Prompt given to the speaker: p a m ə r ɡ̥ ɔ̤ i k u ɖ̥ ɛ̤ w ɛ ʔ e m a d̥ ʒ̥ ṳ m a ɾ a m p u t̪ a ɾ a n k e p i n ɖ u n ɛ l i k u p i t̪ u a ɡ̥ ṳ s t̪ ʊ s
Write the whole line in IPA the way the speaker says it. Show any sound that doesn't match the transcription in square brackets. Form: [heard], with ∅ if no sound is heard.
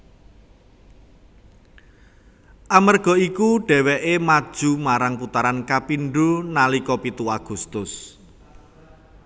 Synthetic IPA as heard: [ʔ] a m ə r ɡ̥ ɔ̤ i k u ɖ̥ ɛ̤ w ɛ ʔ e m a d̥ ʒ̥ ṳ m a ɾ a [ŋ] p u t̪ a ɾ a n k [a] p i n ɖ u n [a] l i k [ɔ] p i t̪ u a ɡ̥ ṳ s t̪ ʊ s